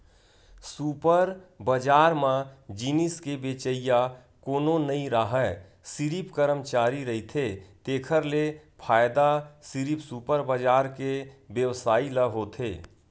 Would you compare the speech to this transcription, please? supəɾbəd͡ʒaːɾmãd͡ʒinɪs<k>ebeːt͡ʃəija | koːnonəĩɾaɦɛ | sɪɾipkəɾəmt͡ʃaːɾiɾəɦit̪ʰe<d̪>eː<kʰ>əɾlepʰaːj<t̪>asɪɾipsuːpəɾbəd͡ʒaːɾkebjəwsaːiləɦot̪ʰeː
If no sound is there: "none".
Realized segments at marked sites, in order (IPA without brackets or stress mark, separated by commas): k, t̪, kʰ, d̪